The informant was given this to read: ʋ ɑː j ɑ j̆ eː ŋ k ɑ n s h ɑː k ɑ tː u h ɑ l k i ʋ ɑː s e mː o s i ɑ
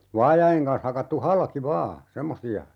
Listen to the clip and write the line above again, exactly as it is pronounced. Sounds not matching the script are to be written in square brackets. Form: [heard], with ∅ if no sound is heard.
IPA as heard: ʋ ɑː j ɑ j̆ [e] ŋ k ɑ n s h [ɑ] k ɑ tː u h ɑ l k i ʋ ɑː s e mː o s i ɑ